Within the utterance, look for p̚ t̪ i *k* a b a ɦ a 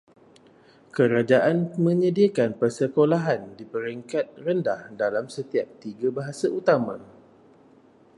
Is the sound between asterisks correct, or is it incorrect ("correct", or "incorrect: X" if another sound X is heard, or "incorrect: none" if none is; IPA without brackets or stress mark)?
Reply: incorrect: ɡ